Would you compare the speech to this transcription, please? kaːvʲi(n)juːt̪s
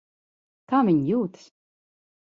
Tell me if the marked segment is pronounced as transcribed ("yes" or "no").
no